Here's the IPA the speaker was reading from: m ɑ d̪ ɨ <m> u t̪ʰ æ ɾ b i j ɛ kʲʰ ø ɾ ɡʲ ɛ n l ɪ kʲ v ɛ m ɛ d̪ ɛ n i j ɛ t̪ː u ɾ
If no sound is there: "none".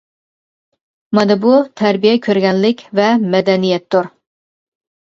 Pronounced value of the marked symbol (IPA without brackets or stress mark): b